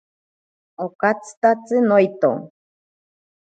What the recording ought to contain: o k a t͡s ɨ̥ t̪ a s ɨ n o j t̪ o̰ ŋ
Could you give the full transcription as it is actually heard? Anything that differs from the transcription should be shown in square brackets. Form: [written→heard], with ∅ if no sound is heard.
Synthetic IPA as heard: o k a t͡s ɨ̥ t̪ a [s→t͡s] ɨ n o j t̪ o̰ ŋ